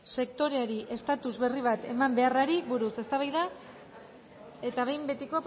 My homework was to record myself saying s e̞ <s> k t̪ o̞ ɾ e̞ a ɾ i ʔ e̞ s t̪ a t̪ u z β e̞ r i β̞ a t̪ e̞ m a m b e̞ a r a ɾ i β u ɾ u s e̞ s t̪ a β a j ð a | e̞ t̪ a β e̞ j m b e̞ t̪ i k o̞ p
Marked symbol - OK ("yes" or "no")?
no